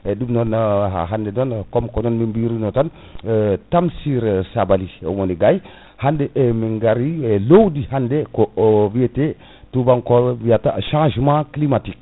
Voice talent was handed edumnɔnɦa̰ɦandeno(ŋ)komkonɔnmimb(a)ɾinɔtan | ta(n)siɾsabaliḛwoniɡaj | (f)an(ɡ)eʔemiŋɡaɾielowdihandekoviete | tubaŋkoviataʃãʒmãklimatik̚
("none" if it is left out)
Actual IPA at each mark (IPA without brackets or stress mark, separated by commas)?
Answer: n, i, m, h, d